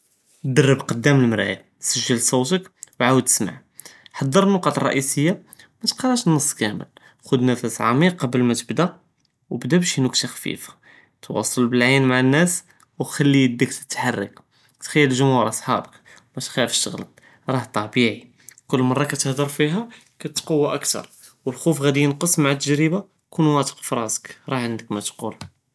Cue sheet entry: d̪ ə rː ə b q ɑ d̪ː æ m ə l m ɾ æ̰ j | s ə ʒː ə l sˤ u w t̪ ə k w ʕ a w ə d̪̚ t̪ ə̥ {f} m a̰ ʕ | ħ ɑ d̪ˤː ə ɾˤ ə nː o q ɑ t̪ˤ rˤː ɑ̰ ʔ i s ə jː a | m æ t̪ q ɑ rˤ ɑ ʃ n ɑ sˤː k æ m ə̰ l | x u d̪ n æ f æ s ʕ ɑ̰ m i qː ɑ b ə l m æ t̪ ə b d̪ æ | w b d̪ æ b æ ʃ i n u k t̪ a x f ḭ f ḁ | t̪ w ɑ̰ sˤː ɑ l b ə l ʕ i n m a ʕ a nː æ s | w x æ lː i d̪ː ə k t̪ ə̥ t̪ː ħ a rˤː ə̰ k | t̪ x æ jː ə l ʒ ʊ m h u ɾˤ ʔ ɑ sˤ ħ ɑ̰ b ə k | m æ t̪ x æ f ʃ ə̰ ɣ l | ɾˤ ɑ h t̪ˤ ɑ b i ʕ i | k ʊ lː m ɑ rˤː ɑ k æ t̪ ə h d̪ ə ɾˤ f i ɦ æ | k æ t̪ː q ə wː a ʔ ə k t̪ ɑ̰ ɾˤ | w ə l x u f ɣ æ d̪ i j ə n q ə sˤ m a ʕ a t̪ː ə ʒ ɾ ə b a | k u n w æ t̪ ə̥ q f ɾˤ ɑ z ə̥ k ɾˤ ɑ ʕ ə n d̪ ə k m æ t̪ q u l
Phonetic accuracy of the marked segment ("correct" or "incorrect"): incorrect